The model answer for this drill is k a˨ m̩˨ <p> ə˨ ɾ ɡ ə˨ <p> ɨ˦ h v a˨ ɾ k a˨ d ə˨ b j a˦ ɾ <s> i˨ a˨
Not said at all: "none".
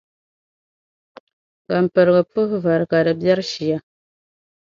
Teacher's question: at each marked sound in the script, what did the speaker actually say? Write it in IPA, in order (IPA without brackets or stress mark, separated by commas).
p, p, ʃ